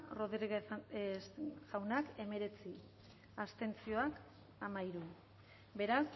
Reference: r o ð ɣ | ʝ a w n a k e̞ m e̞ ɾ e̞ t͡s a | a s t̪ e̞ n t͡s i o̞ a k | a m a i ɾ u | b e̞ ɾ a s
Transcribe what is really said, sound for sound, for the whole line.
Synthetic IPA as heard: r o ð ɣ | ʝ a w n a k e̞ m e̞ ɾ e̞ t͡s i | a s t̪ e̞ n t͡s i o̞ a k | a m a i ɾ u | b e̞ ɾ a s